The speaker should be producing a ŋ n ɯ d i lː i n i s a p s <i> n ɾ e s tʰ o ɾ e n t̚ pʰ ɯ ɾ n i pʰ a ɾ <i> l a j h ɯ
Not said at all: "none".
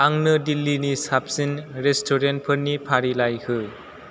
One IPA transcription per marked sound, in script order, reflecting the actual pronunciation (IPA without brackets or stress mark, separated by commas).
i, i